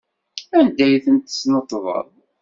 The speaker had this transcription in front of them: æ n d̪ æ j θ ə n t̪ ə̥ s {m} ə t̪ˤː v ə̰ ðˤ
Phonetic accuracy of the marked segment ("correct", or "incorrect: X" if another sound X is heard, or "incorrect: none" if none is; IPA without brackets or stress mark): incorrect: n